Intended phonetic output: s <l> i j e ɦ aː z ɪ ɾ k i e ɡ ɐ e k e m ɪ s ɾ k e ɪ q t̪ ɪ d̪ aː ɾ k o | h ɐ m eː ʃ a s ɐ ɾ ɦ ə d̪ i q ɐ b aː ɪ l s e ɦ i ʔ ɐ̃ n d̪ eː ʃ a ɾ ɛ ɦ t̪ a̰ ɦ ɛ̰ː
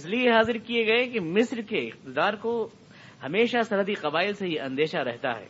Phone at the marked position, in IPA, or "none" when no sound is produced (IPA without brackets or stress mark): l